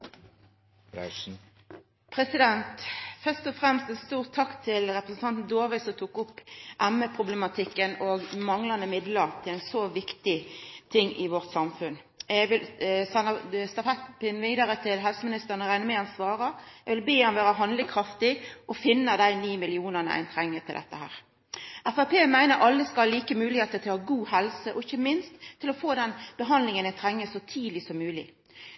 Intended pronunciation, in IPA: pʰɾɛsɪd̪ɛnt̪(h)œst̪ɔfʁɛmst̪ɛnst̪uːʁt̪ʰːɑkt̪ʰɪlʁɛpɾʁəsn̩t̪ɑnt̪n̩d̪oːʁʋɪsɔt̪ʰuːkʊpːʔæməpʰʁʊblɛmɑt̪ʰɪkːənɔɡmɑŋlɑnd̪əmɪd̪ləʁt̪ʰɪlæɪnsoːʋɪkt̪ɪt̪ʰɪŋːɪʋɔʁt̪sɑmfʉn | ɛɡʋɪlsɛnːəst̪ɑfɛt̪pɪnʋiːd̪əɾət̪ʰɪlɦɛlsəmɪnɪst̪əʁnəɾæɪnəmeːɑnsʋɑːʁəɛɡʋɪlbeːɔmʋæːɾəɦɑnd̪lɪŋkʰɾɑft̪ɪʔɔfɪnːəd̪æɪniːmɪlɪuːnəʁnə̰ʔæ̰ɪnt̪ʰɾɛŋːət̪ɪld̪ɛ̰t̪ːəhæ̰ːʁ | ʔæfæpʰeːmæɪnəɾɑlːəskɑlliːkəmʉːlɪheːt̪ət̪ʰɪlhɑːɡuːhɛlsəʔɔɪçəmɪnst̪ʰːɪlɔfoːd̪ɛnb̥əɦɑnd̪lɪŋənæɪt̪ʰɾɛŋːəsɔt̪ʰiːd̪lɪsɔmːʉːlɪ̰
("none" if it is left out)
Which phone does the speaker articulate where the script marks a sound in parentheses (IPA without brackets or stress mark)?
f